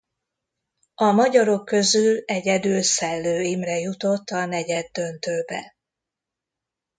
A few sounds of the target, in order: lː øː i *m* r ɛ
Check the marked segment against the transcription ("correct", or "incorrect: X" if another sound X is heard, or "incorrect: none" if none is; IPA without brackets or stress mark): correct